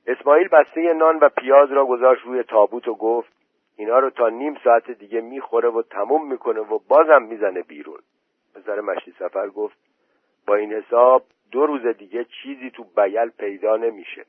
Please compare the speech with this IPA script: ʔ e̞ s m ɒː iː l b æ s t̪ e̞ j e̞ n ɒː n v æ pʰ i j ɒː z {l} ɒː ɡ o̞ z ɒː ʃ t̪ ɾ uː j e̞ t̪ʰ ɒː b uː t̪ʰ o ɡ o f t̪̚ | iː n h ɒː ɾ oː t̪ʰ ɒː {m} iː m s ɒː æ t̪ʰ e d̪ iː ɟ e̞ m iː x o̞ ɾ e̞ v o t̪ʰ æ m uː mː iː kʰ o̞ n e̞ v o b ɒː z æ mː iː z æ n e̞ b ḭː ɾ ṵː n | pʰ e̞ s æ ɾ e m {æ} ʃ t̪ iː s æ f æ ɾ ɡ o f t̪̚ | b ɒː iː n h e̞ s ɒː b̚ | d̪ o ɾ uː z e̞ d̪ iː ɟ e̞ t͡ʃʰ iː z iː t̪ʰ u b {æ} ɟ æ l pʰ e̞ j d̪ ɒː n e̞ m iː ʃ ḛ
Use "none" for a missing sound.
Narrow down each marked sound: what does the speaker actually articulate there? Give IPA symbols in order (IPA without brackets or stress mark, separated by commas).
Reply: ɾ, n, æ, æ